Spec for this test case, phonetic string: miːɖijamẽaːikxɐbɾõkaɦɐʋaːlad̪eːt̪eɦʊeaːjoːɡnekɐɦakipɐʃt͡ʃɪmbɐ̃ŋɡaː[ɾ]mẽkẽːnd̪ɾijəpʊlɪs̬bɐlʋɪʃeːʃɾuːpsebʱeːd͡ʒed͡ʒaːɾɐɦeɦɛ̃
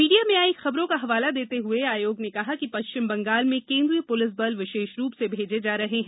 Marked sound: incorrect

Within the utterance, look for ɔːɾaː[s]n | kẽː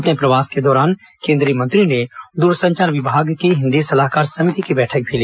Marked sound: incorrect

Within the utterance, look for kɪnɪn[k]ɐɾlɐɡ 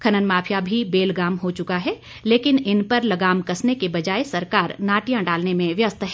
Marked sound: incorrect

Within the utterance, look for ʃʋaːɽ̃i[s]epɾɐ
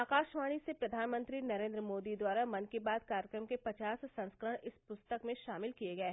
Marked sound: correct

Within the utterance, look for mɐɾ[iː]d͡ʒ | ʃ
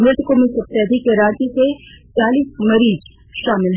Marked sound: correct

